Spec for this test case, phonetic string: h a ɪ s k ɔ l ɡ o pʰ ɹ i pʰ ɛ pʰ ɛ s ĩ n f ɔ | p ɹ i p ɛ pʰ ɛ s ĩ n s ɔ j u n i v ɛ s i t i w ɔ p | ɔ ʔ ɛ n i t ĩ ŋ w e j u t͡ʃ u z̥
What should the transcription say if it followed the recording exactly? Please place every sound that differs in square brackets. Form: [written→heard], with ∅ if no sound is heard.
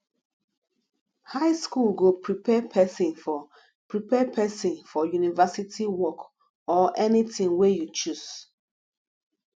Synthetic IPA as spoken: h a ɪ s k [ɔ→u] l ɡ o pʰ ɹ i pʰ ɛ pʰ ɛ s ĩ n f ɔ | p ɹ i p ɛ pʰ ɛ s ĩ n [s→f] ɔ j u n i v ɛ s i t i w ɔ [p→k] | ɔ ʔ ɛ n i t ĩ ŋ w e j u t͡ʃ u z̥